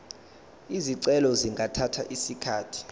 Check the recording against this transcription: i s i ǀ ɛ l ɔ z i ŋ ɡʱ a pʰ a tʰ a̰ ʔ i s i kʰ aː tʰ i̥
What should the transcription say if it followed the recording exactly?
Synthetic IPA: i z i ǀ ɛ l ɔ z i ŋ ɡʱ a tʰ a tʰ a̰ ʔ i s i kʰ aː tʰ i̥